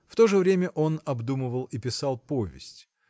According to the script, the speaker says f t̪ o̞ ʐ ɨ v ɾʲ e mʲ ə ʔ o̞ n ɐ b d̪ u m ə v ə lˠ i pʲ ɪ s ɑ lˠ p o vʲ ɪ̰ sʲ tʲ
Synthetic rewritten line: f t̪ o̞ ʐ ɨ v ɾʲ e mʲ ə ʔ o̞ n ɐ b d̪ u m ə v ə lˠ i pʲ ɪ s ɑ lˠ p o vʲ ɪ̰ sʲ tʲ

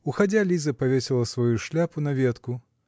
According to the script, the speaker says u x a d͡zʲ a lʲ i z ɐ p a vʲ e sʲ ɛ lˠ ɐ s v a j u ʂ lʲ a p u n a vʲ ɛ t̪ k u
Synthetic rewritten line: u x a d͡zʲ a lʲ i z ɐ p a vʲ e sʲ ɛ lˠ ɐ s v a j u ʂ lʲ a p u n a vʲ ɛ t̪ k u

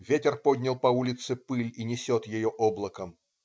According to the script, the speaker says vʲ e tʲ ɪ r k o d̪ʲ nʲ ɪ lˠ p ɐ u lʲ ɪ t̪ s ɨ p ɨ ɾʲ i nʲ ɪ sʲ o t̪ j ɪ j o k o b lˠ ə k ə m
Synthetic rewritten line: vʲ e tʲ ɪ r p o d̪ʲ nʲ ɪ lˠ p ɐ u lʲ ɪ t̪ s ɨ p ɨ lʲ i nʲ ɪ sʲ o t̪ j ɪ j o ʔ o b lˠ ə k ə m

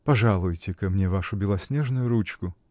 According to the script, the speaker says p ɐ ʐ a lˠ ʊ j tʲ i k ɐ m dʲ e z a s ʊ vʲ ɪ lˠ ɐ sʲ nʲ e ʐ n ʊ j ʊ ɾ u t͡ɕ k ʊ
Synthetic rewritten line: p ɐ ʐ a lˠ ʊ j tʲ ɪ k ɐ m nʲ e v a ʂ ʊ bʲ ɪ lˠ ɐ sʲ nʲ e ʐ n ʊ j ʊ ɾ u t͡ɕ k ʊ

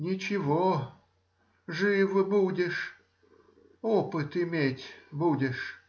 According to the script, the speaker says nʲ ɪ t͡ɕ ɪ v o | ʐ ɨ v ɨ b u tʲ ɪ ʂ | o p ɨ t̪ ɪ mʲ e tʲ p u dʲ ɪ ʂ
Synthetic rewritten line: nʲ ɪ t͡ɕ ɪ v o | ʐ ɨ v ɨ b u dʲ ɪ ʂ | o p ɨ t̪ ɪ mʲ e tʲ b u dʲ ɪ ʂ

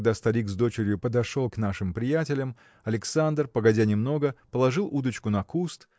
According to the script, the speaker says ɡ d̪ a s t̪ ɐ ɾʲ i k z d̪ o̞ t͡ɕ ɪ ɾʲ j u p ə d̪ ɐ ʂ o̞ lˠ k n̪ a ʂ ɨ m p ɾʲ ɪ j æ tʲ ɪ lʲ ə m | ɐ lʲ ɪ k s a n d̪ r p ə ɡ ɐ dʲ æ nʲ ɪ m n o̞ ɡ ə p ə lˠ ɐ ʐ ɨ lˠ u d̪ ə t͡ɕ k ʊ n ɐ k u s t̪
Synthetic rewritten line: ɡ d̪ a s t̪ ɐ ɾʲ i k z d̪ o̞ t͡ɕ ɪ ɾʲ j ʊ p ə d̪ ɐ ʂ o̞ lˠ k n̪ a ʂ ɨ m p ɾʲ ɪ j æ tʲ ɪ lʲ ə m | ɐ lʲ ɪ k s a n d̪ r p ə ɡ ɐ dʲ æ nʲ ɪ m n o̞ ɡ ə p ə lˠ ɐ ʐ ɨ lˠ u d̪ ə t͡ɕ k ʊ n ɐ k u s t̪

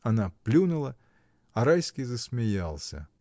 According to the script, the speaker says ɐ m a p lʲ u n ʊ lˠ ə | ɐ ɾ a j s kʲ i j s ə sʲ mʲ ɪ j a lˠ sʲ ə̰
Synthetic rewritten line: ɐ n a p lʲ u n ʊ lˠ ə | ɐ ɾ a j s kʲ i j z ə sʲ mʲ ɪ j a lˠ sʲ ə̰

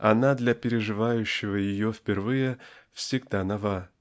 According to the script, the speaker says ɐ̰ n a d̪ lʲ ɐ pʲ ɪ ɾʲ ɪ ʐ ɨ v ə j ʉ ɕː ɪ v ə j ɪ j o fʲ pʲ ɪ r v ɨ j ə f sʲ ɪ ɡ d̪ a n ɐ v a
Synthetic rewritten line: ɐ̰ n a d̪ lʲ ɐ pʲ ɪ ɾʲ ɪ ʐ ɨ v a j ʉ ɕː ɪ v ə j ɪ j o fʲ pʲ ɪ r v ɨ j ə f sʲ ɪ ɡ d̪ a n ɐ v a

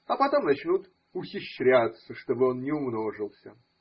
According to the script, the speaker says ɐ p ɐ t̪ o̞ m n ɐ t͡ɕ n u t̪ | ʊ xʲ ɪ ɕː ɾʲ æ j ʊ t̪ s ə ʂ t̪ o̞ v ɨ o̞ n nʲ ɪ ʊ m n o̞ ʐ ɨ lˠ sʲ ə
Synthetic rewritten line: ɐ p ɐ t̪ o̞ m n ɐ t͡ɕ n u t̪ | ʊ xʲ ɪ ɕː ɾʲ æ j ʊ t̪ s ə ʂ t̪ o̞ b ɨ o̞ n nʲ ɪ ʊ m n o̞ ʐ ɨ lˠ sʲ ə

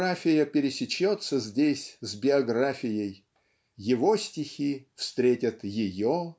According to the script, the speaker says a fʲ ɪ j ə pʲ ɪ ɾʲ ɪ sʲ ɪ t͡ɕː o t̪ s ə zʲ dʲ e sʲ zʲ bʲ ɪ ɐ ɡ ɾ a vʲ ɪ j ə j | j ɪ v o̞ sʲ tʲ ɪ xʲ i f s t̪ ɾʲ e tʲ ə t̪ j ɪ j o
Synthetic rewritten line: a fʲ ɪ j ə pʲ ɪ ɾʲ ɪ sʲ ɪ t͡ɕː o t̪ s ə zʲ dʲ e sʲ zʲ bʲ ɪ ɐ ɡ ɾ a fʲ ɪ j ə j | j ɪ v o̞ sʲ tʲ ɪ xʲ i f s t̪ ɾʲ e tʲ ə t̪ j ɪ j o

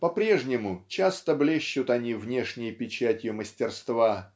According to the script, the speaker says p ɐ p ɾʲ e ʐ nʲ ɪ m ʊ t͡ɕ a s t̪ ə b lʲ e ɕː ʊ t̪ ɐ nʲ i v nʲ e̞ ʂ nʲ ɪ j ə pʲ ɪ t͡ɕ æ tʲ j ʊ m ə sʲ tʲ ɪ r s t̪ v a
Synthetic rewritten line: p ɐ p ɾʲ e ʐ nʲ ɪ m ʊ t͡ɕ a s t̪ ə b lʲ e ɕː ʊ t̪ ɐ nʲ i v nʲ e̞ ʂ nʲ ɪ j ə pʲ ɪ t͡ɕ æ tʲ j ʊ m ə sʲ tʲ ɪ r s t̪ v a

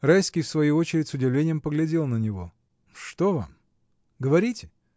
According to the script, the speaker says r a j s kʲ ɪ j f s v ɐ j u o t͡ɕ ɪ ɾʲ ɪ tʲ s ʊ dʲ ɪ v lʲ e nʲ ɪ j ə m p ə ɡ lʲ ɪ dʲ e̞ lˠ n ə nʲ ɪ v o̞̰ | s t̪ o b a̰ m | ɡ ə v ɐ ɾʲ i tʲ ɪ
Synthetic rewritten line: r a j s kʲ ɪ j f s v ɐ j u o t͡ɕ ɪ ɾʲ ɪ tʲ s ʊ dʲ ɪ v lʲ e nʲ ɪ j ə m p ə ɡ lʲ ɪ dʲ e̞ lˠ n ə nʲ ɪ v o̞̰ | ʂ t̪ o v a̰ m | ɡ ə v ɐ ɾʲ i tʲ ɪ

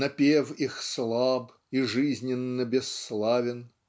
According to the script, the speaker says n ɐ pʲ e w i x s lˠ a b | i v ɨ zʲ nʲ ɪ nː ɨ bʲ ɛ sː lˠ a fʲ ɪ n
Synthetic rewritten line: n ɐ pʲ e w i x s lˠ a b | i ʐ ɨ zʲ nʲ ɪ nː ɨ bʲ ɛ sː lˠ a vʲ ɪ n

